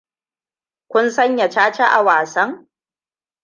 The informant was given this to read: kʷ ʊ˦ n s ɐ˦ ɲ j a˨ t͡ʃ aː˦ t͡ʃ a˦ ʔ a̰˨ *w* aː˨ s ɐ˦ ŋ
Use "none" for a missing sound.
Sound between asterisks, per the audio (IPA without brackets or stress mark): w